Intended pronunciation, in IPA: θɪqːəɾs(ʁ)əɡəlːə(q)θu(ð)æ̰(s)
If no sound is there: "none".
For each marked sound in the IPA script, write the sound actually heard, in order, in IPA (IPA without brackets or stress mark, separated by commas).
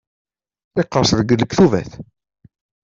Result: ð, k, v, θ